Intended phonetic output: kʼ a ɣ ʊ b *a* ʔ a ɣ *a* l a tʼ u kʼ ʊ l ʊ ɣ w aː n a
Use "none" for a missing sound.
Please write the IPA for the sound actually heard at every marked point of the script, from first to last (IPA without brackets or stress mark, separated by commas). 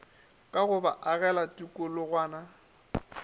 a, ɛ